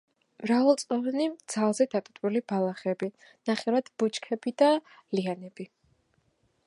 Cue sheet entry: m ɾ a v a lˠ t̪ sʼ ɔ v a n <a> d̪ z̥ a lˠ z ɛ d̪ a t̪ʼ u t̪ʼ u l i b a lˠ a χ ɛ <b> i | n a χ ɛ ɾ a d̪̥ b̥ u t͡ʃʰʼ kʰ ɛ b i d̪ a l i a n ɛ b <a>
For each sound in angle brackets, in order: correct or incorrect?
incorrect: i, correct, incorrect: i

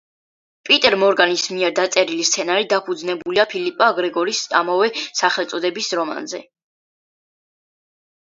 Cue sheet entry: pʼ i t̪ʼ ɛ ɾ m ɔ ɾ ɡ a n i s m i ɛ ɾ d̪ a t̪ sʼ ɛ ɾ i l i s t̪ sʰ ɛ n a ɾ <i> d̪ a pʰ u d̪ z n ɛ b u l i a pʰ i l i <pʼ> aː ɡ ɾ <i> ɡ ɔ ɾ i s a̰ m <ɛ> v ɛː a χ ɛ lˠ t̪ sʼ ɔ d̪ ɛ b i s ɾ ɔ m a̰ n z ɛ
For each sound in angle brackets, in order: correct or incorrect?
correct, correct, incorrect: ɛ, incorrect: a

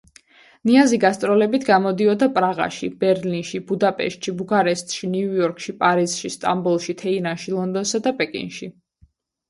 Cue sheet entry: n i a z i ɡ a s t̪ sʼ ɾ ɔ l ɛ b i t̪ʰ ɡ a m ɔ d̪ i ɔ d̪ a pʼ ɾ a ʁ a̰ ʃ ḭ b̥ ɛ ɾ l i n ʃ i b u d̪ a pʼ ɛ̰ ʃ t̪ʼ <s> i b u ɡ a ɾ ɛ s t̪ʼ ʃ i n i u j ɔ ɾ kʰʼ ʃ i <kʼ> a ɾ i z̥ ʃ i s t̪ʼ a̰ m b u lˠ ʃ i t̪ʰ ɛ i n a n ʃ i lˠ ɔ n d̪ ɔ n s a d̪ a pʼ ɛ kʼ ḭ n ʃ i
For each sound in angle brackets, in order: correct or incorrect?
incorrect: ʃ, incorrect: pʼ

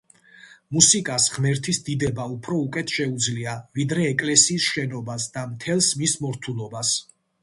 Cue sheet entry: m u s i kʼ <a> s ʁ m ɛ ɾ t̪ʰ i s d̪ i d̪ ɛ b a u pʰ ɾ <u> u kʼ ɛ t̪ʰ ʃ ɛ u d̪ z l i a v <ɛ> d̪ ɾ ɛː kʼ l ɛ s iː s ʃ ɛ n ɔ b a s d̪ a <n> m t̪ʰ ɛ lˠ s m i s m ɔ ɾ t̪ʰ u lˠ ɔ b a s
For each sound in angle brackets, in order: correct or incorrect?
correct, incorrect: ɔ, incorrect: i, incorrect: none

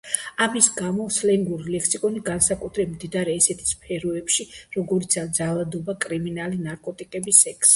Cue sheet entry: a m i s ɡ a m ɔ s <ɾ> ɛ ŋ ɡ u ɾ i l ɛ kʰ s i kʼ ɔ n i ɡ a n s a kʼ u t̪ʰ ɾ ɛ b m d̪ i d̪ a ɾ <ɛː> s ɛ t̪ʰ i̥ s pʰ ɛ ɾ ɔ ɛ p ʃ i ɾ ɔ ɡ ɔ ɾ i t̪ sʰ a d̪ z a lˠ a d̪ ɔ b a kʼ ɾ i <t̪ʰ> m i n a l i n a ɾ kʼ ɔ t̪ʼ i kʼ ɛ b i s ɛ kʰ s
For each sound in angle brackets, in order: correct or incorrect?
incorrect: l, correct, incorrect: none

